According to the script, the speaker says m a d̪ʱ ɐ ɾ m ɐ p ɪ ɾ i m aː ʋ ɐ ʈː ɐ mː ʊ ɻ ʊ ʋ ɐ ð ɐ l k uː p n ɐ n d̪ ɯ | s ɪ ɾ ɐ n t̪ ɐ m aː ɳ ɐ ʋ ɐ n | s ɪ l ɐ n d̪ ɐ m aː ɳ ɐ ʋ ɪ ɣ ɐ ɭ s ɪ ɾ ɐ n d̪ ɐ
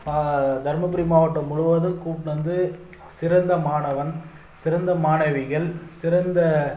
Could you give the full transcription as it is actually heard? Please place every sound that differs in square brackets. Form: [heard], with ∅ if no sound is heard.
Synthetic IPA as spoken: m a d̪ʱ ɐ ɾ m ɐ p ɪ ɾ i m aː ʋ ɐ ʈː ɐ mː ʊ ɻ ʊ ʋ ɐ ð ɐ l k uː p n ɐ n d̪ ɯ | s ɪ ɾ ɐ n [d̪] ɐ m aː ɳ ɐ ʋ ɐ n | s ɪ [ɾ] ɐ n d̪ ɐ m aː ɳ ɐ ʋ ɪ ɣ ɐ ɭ s ɪ ɾ ɐ n d̪ ɐ